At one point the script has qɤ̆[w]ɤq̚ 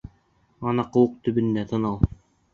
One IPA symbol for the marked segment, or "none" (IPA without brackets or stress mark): w